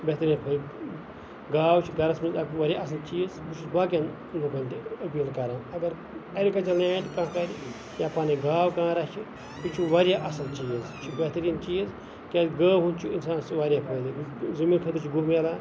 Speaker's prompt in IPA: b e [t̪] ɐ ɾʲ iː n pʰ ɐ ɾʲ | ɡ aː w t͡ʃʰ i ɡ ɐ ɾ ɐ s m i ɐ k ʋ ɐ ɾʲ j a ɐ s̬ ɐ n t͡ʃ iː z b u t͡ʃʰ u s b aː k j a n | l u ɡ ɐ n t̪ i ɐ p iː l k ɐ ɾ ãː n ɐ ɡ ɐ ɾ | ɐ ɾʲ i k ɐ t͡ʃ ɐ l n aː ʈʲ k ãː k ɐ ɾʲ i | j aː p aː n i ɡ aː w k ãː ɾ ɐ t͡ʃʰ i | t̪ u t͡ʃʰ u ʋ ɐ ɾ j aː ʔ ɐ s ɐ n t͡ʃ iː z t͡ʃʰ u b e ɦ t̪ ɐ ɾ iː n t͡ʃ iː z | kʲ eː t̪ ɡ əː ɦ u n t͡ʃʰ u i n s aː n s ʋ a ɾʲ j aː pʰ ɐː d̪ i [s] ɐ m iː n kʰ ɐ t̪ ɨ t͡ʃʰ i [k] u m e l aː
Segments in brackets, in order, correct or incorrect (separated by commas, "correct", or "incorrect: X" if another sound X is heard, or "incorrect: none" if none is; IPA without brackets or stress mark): correct, incorrect: z, incorrect: ɡ